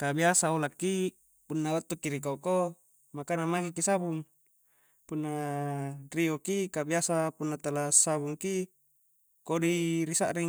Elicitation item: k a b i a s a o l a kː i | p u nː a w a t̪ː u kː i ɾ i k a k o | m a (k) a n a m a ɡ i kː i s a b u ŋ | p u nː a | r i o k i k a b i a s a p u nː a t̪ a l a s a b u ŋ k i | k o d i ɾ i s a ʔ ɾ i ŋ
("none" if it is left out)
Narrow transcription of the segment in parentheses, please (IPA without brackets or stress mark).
k